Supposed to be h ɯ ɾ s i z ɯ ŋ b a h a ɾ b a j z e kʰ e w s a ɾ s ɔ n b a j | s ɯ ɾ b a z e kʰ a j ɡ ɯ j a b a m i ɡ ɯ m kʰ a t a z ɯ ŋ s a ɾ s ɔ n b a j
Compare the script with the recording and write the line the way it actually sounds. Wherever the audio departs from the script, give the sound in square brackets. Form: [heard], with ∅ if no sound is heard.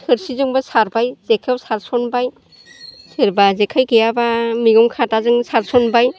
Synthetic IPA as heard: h ɯ ɾ s i z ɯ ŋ b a [s] a ɾ b a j z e kʰ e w s a ɾ s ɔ n b a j | s ɯ ɾ b a z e kʰ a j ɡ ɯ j a b a m i ɡ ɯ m kʰ a t a z ɯ ŋ s a ɾ s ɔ n b a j